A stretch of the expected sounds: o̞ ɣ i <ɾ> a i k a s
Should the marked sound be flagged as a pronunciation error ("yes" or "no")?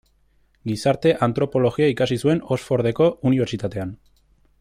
yes